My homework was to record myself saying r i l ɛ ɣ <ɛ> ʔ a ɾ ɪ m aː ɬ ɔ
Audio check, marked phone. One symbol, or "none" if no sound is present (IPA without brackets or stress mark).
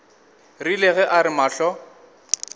ɛ